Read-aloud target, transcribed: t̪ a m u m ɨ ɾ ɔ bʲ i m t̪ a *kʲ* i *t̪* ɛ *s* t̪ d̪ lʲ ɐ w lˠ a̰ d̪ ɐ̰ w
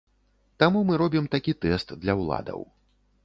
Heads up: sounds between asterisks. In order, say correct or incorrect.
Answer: correct, correct, correct

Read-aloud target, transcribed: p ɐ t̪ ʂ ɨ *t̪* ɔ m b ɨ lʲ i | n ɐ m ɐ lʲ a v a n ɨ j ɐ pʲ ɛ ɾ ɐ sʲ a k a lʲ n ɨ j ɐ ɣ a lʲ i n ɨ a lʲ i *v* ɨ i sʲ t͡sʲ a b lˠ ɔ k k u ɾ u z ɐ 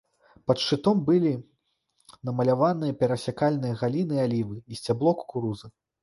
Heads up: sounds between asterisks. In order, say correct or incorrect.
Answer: correct, correct

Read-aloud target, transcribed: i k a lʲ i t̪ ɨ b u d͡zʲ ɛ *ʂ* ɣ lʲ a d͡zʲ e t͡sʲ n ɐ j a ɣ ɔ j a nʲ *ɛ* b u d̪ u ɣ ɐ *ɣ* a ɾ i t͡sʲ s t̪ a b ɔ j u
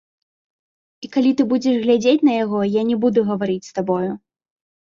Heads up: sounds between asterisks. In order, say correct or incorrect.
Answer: correct, correct, incorrect

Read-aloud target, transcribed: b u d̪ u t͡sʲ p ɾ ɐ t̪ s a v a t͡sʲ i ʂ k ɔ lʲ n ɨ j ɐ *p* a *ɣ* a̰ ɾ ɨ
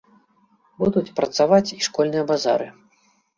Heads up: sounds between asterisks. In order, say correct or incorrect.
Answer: incorrect, incorrect

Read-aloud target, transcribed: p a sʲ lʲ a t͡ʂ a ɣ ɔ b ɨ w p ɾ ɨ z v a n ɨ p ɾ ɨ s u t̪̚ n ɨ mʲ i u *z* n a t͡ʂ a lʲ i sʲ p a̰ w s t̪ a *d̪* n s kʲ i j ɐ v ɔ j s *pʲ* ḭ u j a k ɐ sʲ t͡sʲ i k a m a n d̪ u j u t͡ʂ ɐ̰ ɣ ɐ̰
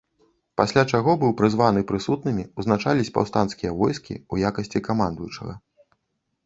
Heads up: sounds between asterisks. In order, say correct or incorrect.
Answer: correct, incorrect, incorrect

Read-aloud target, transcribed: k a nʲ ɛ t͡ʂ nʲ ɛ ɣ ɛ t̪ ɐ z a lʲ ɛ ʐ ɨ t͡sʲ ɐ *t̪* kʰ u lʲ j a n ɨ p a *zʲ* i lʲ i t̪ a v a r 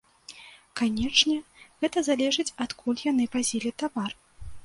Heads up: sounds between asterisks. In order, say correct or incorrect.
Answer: correct, correct

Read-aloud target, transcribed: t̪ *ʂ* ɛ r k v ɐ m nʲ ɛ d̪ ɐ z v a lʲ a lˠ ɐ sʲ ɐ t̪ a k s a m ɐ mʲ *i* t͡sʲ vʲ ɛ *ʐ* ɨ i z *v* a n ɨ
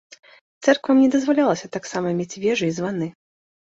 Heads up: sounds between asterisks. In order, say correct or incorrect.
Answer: incorrect, incorrect, correct, correct

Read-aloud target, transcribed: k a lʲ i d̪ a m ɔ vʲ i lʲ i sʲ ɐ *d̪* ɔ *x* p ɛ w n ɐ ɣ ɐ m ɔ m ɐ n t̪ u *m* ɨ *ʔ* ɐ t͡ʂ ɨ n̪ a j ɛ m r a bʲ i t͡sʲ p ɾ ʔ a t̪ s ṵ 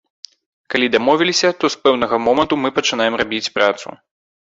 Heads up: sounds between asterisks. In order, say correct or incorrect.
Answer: incorrect, incorrect, correct, incorrect

